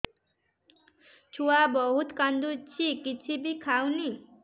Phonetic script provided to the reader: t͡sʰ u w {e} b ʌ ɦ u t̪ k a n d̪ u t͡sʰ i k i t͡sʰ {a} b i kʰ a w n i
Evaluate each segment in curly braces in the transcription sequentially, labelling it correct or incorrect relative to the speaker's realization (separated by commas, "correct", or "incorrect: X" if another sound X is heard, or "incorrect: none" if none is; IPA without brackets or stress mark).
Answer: incorrect: a, incorrect: i